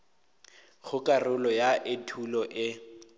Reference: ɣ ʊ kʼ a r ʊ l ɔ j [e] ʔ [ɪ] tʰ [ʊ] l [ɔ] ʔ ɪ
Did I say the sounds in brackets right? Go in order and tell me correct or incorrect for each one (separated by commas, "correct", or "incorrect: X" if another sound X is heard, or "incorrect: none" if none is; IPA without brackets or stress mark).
incorrect: a, correct, incorrect: u, correct